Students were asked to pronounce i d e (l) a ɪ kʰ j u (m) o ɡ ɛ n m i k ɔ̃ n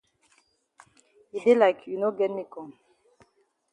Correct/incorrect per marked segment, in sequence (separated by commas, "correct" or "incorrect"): correct, incorrect